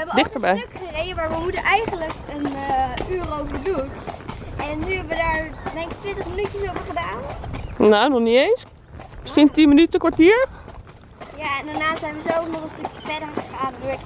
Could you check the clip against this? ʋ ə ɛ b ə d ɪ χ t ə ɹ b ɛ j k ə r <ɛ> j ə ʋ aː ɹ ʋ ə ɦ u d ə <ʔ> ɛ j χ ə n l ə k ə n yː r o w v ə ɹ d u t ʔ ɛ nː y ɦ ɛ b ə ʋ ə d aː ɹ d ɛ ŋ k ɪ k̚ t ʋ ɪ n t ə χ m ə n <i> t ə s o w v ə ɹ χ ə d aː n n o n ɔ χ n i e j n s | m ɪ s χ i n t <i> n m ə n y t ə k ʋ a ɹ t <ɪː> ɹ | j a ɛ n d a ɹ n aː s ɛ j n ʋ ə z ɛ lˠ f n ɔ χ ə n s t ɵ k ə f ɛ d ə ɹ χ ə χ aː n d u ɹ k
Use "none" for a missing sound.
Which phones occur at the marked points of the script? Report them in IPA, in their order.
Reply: e, ʔ, y, i, iː

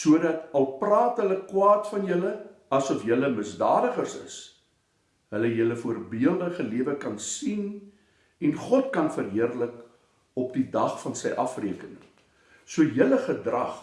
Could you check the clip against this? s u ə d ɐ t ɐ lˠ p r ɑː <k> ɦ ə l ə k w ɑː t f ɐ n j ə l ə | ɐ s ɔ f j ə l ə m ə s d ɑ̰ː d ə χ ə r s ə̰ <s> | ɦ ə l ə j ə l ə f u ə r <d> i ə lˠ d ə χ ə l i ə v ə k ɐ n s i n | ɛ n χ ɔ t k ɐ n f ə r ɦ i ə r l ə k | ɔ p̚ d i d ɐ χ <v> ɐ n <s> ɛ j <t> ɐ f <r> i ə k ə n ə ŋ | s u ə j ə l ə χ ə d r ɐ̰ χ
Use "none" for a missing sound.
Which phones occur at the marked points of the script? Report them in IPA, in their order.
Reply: t, s, b, f, s, ʔ, r

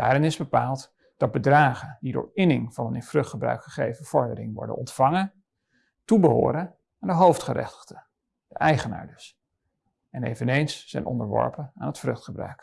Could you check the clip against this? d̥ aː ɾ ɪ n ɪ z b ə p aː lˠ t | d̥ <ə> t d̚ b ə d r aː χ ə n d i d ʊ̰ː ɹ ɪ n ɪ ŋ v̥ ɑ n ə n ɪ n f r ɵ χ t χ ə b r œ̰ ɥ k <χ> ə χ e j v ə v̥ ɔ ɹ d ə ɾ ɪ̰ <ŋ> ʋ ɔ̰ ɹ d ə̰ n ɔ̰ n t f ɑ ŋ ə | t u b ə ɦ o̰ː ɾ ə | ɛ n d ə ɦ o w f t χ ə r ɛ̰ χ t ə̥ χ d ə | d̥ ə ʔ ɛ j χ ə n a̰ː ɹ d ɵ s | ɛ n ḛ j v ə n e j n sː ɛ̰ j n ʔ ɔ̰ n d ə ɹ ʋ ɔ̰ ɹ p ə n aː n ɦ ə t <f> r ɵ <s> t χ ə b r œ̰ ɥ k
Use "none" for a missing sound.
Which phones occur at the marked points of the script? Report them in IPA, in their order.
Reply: ɑ, χ, ŋ, f, χ

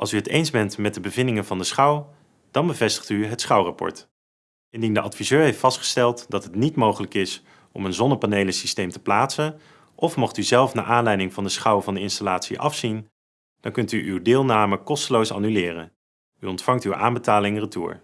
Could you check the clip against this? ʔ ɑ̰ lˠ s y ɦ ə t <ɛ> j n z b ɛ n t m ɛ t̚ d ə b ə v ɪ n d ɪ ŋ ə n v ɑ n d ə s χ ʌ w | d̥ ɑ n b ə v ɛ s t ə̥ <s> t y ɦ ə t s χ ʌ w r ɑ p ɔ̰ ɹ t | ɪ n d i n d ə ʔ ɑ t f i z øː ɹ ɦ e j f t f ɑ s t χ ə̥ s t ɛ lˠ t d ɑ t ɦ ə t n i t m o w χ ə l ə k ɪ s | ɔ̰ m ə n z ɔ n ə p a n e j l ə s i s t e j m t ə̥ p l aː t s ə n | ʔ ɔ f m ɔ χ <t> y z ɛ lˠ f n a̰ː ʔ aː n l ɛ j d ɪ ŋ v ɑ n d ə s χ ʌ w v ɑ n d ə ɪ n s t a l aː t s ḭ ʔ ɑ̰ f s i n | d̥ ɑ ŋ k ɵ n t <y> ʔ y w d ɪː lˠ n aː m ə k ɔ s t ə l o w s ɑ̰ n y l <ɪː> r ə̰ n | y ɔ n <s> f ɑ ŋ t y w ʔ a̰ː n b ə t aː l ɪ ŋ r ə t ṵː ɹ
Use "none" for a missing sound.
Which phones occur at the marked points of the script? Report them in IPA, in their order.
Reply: e, χ, t, y, ɪː, t

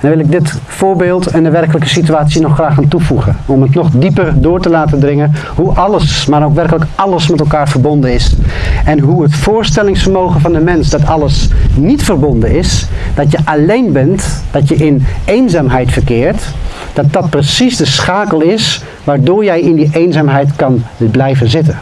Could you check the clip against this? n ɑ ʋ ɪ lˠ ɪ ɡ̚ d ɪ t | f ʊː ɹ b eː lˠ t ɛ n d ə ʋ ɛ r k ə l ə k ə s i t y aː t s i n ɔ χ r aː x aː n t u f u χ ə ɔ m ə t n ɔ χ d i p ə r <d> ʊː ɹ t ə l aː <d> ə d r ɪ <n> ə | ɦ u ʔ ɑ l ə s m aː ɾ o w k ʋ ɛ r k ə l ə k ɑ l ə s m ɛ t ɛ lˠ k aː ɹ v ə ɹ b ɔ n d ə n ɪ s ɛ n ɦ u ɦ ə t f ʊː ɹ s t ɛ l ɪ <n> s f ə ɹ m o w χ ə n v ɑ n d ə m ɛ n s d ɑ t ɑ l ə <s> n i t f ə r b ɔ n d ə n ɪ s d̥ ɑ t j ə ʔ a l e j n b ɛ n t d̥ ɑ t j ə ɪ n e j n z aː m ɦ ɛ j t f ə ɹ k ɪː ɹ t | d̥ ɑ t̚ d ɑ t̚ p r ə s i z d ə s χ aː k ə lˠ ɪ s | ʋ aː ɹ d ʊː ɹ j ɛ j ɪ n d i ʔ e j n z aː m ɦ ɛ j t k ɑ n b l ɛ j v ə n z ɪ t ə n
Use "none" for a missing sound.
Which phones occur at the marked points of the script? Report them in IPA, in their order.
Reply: d, t, ŋ, ŋ, s

